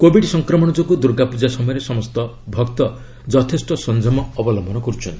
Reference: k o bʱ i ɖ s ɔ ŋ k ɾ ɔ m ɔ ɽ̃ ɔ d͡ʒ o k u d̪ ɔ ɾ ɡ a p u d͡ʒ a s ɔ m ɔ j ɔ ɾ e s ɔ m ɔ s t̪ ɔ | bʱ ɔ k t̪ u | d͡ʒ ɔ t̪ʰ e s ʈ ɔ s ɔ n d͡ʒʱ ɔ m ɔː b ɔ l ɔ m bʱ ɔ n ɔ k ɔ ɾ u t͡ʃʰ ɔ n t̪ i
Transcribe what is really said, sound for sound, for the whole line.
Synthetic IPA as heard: k o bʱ i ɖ s ɔ ŋ k ɾ ɔ m ɔ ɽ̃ ɔ d͡ʒ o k u d̪ u ɾ ɡ a p u d͡ʒ a s ɔ m ɔ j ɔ ɾ e s ɔ m ɔ s t̪ ɔ | bʱ ɔ k t̪ ɔ | d͡ʒ ɔ t̪ʰ e s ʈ ɔ s ɔ n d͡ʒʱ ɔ m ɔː b ɔ l ɔ m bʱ ɔ n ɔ k ɔ ɾ u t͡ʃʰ ɔ n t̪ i